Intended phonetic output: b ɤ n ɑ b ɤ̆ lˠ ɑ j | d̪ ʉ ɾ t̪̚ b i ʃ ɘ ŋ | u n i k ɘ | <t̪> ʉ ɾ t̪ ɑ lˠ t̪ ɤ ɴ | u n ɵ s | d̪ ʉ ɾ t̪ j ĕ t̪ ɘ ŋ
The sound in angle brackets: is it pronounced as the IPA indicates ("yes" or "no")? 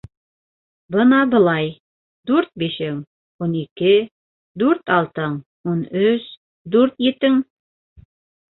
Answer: no